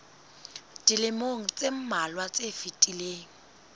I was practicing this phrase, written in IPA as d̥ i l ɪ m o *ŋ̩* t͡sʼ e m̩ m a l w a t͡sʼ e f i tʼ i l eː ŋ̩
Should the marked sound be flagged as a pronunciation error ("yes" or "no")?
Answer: no